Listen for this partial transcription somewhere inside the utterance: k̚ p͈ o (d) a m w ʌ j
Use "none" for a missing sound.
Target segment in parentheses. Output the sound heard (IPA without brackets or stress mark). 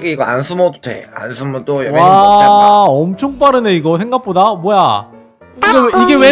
d